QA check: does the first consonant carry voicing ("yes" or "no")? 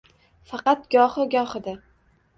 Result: no